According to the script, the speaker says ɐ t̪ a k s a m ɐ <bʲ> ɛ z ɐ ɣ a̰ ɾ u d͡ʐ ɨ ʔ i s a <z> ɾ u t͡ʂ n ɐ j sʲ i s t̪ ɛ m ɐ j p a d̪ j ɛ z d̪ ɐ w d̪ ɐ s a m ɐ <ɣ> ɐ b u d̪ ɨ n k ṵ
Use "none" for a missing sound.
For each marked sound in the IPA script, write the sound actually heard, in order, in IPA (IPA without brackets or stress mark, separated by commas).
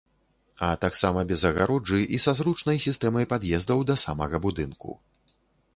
bʲ, z, ɣ